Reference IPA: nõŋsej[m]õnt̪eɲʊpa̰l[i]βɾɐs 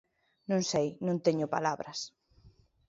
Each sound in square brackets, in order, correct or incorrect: incorrect: n, incorrect: a

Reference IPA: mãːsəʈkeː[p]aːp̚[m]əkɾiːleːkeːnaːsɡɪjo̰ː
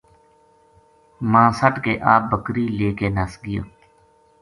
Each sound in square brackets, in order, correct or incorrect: incorrect: ʔ, incorrect: b

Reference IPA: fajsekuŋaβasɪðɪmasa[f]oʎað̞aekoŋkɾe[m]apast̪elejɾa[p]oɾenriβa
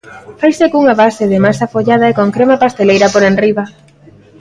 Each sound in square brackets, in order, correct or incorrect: correct, correct, correct

